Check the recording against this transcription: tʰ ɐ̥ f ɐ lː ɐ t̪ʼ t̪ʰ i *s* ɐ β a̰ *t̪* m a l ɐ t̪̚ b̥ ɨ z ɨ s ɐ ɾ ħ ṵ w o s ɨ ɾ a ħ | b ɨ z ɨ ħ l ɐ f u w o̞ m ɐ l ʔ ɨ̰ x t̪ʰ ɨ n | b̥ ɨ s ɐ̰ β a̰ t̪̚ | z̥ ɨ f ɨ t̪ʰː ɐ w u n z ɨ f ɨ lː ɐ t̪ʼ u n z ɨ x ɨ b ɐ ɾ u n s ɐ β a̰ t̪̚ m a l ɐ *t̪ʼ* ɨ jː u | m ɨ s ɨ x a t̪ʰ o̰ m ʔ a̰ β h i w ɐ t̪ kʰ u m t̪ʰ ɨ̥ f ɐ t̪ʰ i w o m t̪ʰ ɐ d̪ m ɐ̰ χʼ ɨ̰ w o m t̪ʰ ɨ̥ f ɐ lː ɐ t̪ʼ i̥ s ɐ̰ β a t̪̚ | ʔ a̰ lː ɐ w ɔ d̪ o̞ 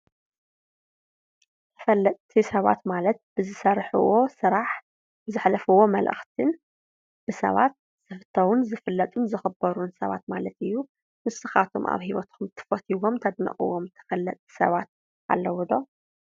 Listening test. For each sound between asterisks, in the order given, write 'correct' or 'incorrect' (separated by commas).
correct, correct, incorrect